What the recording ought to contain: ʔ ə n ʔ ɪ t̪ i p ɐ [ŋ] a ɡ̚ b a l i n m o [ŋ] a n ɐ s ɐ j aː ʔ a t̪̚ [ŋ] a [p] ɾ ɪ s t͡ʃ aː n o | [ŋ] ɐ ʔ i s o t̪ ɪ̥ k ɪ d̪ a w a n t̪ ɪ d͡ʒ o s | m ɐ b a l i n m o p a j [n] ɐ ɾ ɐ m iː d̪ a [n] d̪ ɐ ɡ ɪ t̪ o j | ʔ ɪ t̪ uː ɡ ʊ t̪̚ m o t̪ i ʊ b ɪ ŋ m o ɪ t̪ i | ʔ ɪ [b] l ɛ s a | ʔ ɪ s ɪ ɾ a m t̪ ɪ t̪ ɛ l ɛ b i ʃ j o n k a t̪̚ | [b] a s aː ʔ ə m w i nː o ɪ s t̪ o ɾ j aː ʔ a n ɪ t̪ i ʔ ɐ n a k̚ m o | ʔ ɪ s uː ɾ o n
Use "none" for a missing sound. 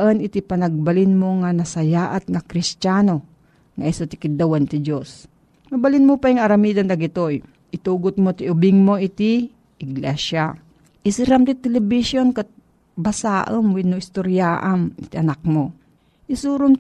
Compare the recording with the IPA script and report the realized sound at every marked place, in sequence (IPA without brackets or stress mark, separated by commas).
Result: n, ŋ, ŋ, k, ŋ, ŋ, n, ɡ, b